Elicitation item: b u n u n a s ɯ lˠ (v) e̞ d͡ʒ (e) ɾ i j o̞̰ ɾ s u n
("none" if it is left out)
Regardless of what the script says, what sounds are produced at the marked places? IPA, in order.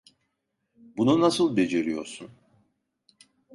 b, e

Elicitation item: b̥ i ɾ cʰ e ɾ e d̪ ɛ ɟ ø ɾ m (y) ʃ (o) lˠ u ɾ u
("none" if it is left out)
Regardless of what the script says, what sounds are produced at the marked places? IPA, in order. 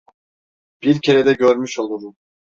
y, o

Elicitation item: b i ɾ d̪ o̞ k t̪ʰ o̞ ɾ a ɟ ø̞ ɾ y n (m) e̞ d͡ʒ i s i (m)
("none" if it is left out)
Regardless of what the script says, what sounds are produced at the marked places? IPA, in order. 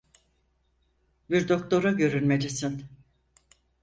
m, n

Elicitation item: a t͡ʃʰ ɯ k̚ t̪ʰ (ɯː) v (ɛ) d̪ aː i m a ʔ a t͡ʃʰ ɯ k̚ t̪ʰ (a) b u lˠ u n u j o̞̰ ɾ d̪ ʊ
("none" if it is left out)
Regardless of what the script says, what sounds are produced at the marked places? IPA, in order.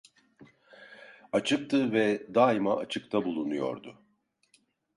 ɯ, ɛ, a

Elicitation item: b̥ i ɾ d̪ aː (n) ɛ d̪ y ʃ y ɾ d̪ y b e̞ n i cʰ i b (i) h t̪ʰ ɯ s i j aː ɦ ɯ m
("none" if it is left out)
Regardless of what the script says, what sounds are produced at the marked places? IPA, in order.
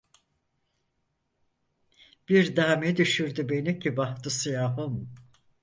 m, a

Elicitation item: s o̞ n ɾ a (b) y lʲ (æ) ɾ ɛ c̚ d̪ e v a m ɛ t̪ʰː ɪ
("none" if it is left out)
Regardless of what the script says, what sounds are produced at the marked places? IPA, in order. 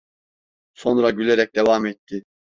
ɟ, e

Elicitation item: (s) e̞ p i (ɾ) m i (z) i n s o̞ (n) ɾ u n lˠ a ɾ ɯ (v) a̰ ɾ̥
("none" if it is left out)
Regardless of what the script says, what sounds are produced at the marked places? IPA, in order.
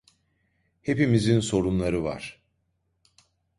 h, none, z, none, v

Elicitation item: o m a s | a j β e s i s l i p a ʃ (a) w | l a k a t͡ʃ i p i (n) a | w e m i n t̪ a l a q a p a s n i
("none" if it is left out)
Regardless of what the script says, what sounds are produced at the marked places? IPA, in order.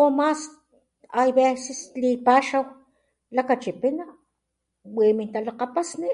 a, n

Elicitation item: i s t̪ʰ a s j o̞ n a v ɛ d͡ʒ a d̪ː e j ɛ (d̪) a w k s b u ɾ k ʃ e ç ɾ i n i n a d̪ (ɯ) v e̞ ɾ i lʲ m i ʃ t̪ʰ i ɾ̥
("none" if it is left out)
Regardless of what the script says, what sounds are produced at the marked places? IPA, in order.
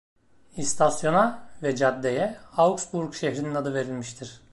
none, ɯ

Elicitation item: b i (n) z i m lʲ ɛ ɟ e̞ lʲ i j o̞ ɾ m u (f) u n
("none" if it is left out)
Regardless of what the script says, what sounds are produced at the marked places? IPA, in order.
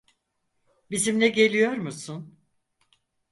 none, s

